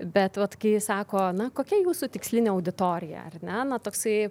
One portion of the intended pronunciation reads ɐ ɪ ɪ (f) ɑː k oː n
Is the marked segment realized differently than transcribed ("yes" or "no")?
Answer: yes